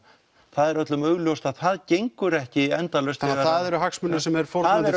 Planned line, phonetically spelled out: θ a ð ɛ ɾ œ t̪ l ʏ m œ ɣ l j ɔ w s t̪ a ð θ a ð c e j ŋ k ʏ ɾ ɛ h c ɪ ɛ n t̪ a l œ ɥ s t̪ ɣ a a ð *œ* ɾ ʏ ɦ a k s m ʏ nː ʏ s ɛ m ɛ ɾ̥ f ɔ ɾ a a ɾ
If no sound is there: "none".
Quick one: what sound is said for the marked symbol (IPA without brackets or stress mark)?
ɛ